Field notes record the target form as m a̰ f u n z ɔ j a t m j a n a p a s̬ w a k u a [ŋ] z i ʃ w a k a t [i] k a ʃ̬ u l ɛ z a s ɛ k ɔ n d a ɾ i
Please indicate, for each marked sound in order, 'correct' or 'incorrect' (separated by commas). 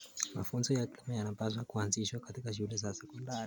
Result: incorrect, correct